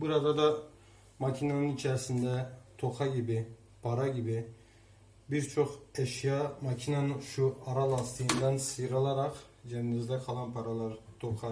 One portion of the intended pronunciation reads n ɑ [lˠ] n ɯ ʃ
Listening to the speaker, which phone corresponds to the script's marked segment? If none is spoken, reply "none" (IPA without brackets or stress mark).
none